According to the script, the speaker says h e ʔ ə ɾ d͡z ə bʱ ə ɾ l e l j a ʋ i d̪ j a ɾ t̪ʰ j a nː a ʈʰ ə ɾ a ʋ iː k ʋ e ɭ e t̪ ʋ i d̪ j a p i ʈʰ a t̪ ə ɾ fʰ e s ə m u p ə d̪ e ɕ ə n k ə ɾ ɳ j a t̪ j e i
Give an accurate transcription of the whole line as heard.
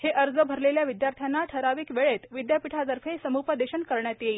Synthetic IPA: h e ʔ ə ɾ d͡z ə bʱ ə ɾ l e l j a ʋ i d̪ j a ɾ t̪ʰ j a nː a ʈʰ ə ɾ a ʋ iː k ʋ e ɭ e t̪ ʋ i d̪ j a p i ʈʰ a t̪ ə ɾ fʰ e s ə m u p ə d̪ e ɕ ə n k ə ɾ ɳ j a t̪ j e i